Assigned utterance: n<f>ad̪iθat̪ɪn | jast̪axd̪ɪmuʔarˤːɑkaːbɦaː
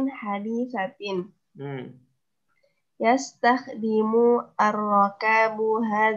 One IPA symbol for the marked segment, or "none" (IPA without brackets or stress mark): ħ